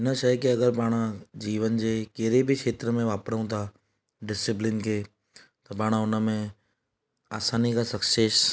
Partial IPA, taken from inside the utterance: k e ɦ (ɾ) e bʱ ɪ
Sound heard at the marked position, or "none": ɾ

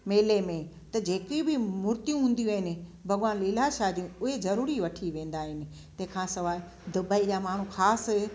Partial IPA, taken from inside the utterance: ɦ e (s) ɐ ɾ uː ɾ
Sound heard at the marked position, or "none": z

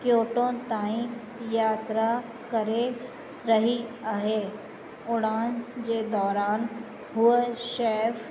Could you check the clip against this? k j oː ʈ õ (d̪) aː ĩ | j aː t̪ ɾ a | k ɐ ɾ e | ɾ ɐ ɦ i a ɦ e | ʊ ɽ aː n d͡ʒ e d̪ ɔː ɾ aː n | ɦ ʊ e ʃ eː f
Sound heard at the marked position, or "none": t̪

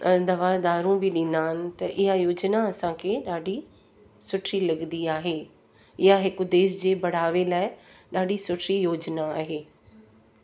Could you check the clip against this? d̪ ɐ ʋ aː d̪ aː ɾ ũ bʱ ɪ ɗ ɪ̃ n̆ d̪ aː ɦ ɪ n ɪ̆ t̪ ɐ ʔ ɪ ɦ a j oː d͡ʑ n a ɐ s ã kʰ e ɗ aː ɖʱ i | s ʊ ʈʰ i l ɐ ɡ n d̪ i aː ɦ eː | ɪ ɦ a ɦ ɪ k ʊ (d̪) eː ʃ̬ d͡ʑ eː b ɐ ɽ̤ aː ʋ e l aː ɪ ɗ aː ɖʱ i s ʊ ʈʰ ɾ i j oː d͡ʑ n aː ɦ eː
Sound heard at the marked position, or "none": d̪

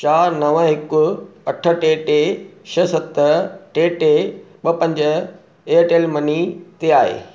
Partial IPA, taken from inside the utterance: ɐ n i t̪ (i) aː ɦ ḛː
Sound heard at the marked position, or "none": e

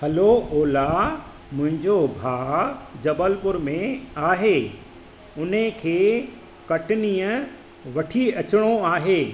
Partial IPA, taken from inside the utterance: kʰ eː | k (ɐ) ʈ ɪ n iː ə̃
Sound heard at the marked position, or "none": ɐ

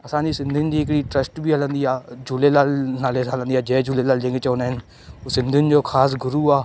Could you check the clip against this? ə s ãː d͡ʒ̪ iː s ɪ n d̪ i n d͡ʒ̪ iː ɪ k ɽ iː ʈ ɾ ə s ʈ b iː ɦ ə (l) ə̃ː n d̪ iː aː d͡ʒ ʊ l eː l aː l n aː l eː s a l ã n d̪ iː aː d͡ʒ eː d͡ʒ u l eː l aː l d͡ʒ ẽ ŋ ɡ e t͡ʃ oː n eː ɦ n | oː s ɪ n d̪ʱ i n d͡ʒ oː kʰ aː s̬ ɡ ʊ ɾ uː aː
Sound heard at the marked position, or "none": l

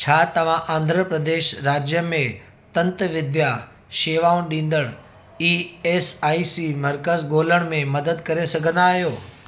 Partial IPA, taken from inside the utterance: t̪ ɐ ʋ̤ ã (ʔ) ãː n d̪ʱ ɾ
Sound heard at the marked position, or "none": ʔ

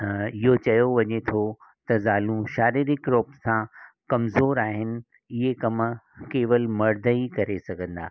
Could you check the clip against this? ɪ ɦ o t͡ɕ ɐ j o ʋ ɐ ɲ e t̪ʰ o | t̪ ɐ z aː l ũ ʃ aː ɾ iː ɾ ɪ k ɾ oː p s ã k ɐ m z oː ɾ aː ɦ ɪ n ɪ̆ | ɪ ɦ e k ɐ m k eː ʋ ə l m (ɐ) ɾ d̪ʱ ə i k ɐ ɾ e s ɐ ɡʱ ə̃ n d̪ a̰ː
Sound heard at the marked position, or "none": ɐ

